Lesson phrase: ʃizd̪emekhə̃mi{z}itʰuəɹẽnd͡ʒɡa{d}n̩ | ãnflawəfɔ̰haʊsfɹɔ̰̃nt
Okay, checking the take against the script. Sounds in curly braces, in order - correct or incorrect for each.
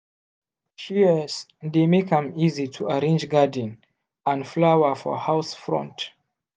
correct, correct

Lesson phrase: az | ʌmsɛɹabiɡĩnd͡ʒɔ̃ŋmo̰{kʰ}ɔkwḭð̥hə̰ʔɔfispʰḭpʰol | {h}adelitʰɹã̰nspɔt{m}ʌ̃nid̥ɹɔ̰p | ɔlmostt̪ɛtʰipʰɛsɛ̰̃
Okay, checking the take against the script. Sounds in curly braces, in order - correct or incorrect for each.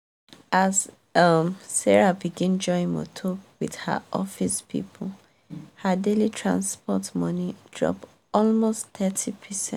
incorrect: tʰ, correct, correct

